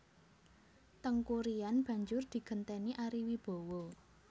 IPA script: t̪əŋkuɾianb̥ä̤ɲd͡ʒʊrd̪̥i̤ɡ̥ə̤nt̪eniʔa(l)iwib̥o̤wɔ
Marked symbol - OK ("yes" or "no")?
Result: no